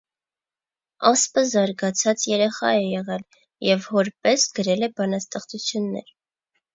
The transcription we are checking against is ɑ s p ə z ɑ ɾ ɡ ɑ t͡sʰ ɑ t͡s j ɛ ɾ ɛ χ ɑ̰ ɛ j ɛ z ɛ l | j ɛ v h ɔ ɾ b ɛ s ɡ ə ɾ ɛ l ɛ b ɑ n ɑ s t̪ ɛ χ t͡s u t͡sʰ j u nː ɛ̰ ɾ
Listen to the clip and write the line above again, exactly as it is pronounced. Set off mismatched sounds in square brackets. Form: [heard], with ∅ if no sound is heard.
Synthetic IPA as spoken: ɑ s p ə z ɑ ɾ ɡ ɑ t͡sʰ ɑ t͡s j ɛ ɾ ɛ χ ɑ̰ ɛ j ɛ [ʁ] ɛ l | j ɛ v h ɔ ɾ [p] ɛ s ɡ ə ɾ ɛ l ɛ b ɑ n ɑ s t̪ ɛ χ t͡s u t͡sʰ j u nː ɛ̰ ɾ